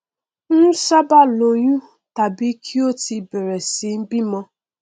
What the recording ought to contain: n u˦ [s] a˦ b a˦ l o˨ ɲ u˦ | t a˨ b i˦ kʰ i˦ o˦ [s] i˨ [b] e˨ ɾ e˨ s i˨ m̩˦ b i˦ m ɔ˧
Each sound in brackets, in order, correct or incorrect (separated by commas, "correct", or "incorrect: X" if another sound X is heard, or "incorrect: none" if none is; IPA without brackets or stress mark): correct, incorrect: t, correct